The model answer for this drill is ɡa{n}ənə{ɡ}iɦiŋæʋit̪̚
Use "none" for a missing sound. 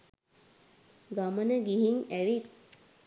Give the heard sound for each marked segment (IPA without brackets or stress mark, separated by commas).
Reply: m, ɡ